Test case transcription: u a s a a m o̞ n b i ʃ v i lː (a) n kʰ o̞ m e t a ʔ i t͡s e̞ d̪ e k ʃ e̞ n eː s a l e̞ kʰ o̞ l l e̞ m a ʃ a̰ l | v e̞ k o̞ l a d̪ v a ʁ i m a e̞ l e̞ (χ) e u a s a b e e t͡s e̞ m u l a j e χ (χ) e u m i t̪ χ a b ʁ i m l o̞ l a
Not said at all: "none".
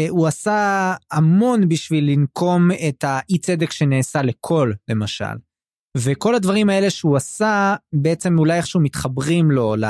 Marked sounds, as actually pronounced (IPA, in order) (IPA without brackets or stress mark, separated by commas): i, ʃ, ʃ